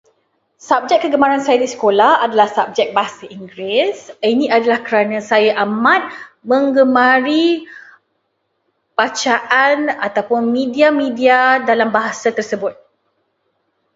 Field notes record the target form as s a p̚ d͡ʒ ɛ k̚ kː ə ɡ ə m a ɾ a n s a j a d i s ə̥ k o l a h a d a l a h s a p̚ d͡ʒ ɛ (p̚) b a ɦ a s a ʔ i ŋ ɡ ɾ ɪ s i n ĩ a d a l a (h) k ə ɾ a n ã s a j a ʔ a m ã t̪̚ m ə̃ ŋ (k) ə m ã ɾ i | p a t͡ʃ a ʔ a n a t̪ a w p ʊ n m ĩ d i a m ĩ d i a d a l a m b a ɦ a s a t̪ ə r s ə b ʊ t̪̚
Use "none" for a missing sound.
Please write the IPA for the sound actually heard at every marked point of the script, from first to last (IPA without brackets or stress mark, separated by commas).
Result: k̚, h, ɡ